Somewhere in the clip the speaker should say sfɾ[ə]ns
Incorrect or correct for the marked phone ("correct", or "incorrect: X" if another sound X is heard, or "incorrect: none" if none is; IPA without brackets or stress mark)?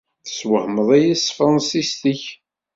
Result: incorrect: ɑ